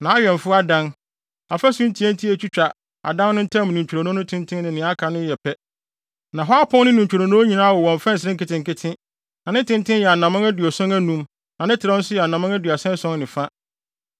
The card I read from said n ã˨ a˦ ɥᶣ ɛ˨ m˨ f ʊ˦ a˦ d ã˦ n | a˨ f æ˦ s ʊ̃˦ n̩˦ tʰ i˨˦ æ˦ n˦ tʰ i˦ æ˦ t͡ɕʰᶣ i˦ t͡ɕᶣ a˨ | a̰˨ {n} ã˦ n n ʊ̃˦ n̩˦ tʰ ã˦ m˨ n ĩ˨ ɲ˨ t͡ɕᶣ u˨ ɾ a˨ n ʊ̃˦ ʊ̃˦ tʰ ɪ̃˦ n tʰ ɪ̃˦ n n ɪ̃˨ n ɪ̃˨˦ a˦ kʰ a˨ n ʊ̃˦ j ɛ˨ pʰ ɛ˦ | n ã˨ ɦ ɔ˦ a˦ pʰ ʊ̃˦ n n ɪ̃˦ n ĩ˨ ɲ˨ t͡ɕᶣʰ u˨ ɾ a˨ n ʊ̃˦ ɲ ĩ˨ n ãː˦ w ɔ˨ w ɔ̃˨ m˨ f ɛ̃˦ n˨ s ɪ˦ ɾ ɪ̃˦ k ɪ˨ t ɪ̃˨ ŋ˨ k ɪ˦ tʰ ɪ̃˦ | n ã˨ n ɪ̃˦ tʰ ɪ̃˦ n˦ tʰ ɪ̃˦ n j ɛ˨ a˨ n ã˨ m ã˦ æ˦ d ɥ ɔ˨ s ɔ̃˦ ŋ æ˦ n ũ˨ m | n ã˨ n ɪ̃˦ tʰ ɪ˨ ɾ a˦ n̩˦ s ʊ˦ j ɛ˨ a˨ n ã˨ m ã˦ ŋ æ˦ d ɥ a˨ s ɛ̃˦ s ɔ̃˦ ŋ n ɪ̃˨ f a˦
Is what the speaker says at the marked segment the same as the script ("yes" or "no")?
no